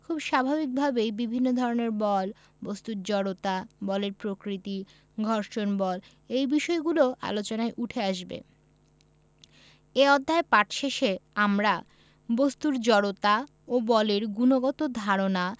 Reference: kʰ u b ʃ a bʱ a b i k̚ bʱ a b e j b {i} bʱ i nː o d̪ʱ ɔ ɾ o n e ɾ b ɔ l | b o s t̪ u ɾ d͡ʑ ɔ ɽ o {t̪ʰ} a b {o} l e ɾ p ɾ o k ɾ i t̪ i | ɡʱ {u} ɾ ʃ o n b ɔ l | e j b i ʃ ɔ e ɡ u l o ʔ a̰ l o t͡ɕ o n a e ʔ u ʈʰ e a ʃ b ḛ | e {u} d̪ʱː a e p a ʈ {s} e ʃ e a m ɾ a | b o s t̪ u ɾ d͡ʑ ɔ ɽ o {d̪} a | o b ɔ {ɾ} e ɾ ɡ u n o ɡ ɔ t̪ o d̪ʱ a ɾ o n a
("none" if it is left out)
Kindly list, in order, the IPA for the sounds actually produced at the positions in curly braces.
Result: i, t̪, ɔ, ɔ, ɔ, ʃ, t̪, l

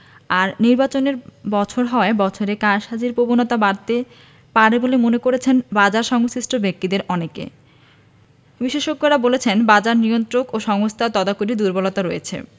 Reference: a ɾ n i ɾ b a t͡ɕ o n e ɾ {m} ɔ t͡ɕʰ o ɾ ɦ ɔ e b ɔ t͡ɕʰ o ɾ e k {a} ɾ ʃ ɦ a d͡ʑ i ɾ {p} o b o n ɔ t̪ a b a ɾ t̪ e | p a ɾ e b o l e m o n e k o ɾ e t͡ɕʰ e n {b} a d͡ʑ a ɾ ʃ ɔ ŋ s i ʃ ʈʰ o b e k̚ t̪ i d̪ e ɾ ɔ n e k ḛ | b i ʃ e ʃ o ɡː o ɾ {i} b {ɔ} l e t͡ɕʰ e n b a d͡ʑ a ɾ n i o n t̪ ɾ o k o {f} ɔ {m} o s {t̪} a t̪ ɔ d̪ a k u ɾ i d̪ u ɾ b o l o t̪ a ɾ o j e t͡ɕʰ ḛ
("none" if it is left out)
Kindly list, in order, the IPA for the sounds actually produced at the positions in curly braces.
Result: b, a, p, b, a, o, ʃ, ŋ, t̪ʰ

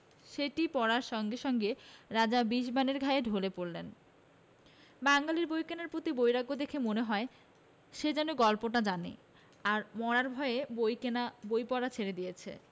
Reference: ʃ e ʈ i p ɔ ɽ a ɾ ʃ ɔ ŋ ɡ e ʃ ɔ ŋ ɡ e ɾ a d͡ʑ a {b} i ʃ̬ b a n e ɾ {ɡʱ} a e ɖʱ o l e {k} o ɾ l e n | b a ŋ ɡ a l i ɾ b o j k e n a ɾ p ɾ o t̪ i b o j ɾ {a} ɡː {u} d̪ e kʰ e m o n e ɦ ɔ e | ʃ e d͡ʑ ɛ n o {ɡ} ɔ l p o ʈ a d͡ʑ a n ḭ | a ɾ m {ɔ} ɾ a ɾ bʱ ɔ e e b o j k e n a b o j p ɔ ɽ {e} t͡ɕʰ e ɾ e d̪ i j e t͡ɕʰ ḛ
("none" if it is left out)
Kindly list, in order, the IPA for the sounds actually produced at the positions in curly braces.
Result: b, ɡʱ, p, a, o, ɡ, ɔ, a

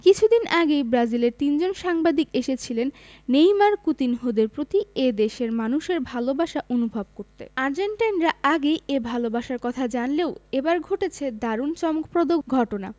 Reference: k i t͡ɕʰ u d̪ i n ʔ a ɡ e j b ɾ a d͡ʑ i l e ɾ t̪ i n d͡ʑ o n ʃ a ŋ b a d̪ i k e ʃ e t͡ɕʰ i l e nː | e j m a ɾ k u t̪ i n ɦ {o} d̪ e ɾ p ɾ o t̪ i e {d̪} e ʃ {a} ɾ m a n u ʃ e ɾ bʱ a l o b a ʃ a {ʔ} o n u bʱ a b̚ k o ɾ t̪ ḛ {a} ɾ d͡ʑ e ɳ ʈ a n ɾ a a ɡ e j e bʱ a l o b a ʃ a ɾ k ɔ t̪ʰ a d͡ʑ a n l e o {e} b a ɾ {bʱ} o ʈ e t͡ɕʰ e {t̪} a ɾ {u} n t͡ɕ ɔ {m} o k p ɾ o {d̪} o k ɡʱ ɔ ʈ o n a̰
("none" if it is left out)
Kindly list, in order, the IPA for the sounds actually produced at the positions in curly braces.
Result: o, d̪, e, ʔ, a, e, ɡʱ, d̪, u, m, d̪

